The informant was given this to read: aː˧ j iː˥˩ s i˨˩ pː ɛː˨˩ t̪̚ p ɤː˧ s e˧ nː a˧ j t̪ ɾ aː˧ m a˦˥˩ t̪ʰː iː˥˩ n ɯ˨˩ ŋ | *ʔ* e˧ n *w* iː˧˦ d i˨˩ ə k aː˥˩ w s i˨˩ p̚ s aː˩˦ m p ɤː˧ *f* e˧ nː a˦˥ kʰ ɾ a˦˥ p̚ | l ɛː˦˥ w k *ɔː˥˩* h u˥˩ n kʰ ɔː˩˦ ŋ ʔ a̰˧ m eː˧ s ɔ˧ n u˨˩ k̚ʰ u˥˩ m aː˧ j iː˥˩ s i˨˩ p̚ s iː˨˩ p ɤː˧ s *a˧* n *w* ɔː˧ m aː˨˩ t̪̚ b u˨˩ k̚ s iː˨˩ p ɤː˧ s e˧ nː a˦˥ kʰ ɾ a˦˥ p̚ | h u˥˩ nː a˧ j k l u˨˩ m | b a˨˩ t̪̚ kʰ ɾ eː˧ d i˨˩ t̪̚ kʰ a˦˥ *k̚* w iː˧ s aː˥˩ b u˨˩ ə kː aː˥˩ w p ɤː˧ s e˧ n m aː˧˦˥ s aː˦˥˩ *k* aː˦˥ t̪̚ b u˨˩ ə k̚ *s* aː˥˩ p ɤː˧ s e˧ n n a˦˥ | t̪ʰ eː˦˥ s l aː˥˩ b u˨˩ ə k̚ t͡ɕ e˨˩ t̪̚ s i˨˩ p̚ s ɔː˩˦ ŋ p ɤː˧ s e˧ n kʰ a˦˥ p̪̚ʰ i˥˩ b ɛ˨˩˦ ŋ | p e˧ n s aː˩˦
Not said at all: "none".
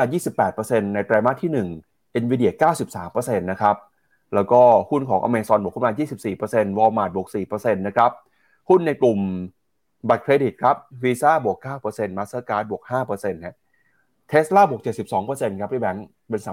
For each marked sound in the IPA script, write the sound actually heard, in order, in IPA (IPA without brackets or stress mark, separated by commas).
ʔ, w, s, ɔː˥˩, e˧, w, p̚, k, h